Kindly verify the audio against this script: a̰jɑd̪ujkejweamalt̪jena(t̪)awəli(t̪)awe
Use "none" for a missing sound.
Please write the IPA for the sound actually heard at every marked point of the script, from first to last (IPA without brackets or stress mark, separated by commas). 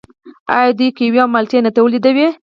t̪, d̪